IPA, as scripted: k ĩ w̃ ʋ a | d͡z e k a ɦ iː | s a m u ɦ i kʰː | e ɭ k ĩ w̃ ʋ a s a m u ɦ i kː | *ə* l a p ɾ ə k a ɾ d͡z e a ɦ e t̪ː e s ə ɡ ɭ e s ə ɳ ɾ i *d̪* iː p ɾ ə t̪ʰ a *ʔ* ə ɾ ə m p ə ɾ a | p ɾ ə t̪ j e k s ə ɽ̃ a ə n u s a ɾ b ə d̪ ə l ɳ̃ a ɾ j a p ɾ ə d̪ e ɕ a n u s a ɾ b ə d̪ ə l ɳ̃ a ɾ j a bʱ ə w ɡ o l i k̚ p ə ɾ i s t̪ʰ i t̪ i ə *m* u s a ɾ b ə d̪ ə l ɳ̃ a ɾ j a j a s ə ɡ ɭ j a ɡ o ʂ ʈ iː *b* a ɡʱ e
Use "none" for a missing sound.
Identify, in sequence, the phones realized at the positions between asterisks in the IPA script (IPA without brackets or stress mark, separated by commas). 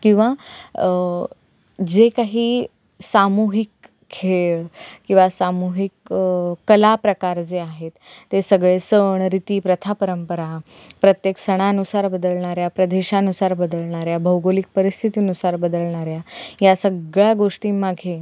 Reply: ə, t̪, p, n, m